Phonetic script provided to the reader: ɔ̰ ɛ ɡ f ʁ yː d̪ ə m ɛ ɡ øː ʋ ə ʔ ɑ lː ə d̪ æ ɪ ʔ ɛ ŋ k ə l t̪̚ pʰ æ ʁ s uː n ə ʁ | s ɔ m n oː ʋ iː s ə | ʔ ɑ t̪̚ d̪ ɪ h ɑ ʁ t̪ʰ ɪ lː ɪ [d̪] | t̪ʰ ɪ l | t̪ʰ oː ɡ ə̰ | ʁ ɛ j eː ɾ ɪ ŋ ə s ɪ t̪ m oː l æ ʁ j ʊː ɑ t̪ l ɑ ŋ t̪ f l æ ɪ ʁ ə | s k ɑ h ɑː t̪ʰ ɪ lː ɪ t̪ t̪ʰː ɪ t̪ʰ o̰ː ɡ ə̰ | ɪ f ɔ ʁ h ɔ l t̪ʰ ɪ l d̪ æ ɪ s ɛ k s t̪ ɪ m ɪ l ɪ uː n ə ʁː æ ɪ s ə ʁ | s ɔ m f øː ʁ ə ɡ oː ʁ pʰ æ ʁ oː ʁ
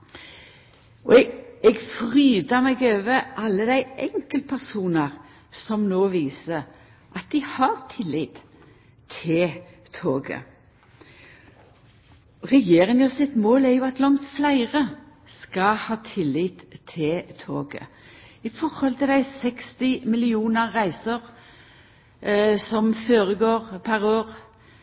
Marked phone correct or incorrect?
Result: incorrect: t̪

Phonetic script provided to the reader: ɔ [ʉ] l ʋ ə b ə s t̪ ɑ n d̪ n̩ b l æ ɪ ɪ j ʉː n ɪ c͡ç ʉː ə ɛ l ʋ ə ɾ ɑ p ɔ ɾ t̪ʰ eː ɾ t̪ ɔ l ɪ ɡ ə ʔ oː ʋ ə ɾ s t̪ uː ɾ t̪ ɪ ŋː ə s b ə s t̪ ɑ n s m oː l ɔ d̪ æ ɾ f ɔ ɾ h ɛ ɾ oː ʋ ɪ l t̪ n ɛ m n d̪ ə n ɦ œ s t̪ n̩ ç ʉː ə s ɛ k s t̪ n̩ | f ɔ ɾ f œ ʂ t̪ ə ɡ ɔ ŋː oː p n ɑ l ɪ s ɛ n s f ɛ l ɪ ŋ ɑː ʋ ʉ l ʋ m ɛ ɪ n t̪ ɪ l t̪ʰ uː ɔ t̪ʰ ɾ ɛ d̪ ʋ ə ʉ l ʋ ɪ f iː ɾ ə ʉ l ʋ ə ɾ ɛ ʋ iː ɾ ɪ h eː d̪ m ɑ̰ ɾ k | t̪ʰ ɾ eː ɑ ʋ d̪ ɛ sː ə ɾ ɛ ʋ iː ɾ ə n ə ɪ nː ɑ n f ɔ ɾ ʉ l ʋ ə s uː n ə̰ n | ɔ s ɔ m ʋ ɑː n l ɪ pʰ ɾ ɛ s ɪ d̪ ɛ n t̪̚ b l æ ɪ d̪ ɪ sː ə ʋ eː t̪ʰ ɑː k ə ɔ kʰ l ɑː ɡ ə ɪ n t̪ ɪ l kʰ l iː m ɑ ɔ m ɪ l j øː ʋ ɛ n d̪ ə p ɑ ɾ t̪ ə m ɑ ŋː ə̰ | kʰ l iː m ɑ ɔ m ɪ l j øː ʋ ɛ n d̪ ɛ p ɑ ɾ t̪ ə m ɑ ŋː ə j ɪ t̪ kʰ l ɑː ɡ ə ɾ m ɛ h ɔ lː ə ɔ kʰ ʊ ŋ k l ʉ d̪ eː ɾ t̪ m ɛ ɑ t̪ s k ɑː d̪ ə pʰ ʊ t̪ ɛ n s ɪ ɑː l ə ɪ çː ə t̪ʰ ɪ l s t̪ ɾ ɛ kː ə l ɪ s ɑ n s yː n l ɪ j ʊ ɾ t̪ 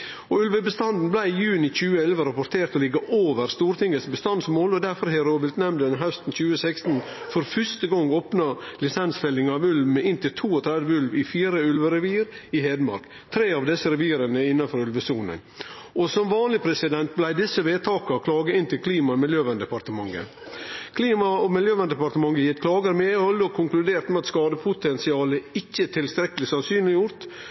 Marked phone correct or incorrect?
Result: correct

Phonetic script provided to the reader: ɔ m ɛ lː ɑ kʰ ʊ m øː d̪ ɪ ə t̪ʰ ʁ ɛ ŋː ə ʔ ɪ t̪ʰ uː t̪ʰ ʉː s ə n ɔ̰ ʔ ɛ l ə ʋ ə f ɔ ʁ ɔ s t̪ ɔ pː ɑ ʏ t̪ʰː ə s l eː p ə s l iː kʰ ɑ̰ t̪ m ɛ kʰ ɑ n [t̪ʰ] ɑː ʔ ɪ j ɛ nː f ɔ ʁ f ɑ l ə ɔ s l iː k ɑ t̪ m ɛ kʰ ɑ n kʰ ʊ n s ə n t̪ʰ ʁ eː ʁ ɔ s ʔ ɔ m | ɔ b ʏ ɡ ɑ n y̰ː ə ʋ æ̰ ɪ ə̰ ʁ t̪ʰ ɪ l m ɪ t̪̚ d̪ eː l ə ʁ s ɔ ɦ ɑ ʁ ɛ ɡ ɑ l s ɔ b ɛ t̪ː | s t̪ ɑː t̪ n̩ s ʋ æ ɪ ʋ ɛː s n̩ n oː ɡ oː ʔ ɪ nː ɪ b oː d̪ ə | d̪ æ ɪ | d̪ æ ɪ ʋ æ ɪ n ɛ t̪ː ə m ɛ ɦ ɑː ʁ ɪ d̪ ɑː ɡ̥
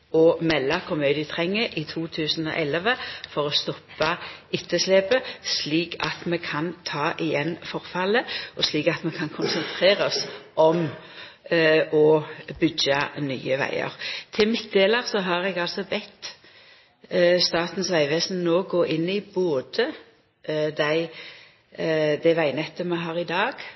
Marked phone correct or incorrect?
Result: correct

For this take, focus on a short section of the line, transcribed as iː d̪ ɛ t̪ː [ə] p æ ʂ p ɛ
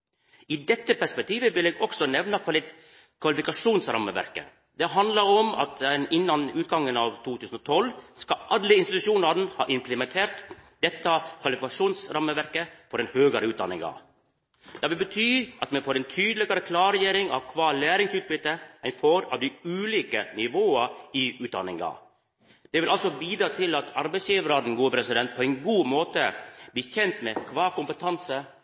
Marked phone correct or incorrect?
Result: correct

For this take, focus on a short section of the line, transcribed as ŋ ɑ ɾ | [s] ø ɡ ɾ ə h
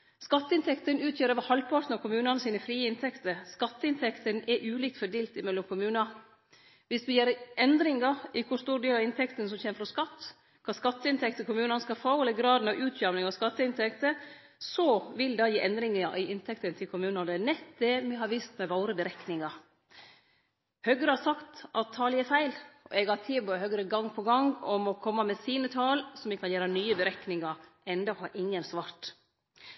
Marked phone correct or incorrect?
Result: incorrect: h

